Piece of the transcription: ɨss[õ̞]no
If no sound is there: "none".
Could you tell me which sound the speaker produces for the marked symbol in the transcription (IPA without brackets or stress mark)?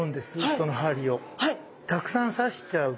o̞